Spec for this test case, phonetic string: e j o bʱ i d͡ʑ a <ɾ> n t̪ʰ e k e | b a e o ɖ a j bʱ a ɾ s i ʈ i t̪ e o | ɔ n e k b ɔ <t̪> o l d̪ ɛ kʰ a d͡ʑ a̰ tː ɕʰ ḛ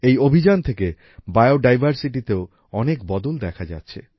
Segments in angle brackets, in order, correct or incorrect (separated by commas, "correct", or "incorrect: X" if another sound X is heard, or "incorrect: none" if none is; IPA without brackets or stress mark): incorrect: none, incorrect: d̪